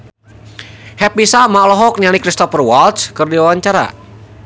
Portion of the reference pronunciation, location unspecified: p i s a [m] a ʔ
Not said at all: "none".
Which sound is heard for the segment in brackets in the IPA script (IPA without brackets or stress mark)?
m